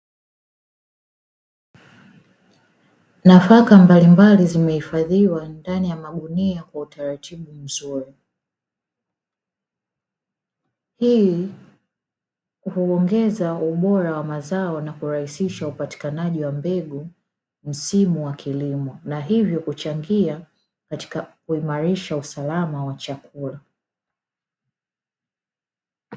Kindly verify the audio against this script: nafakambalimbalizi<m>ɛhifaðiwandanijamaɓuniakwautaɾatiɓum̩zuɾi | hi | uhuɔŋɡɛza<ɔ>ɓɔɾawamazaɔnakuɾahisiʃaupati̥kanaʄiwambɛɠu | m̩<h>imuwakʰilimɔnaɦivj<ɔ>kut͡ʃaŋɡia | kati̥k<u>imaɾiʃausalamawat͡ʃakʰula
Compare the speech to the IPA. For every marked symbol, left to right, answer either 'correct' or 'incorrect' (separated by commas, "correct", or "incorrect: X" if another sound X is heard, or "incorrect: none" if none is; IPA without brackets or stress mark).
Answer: correct, incorrect: u, incorrect: s, correct, correct